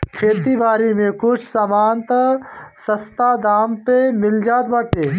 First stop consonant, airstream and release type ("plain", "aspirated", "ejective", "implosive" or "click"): aspirated